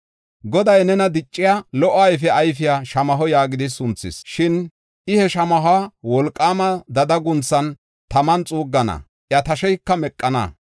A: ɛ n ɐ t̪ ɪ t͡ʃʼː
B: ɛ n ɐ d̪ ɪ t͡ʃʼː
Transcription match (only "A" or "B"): B